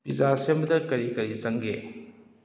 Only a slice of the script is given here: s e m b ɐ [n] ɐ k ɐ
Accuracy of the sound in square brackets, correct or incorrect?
incorrect